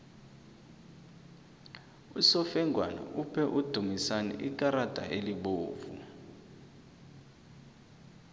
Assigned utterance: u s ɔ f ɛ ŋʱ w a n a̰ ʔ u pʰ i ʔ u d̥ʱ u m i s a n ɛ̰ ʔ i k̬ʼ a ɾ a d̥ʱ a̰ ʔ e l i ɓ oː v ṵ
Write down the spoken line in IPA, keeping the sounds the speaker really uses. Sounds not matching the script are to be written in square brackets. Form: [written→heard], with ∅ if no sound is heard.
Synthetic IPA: u s ɔ f ɛ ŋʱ w a n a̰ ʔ u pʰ [i→ɛ] ʔ u d̥ʱ u m i s a n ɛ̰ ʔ i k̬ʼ a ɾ a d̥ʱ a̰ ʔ e l i ɓ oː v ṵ